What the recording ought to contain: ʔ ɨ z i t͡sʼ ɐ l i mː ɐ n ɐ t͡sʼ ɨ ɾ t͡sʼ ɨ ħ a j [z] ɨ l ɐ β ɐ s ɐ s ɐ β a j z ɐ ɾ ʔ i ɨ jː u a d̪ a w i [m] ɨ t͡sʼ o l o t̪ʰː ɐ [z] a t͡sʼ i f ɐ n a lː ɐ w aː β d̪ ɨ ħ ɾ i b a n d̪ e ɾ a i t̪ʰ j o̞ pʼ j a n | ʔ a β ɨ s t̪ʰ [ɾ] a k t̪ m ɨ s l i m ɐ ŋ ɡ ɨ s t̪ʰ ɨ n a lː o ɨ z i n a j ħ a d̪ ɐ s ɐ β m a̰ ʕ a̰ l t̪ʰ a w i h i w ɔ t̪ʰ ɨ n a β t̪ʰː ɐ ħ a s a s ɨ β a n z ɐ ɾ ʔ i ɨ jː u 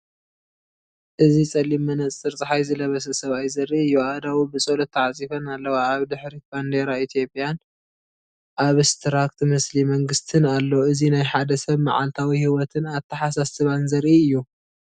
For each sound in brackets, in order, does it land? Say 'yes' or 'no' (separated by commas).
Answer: yes, no, no, yes